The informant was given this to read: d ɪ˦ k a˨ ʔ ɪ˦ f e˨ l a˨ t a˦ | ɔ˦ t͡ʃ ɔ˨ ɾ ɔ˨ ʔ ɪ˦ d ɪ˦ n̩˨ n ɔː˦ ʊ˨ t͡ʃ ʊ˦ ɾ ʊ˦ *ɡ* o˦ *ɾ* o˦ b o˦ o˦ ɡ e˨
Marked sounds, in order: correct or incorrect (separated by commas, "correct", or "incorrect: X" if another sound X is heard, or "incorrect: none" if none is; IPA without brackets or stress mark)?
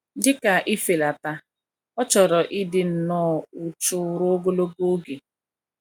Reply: correct, incorrect: l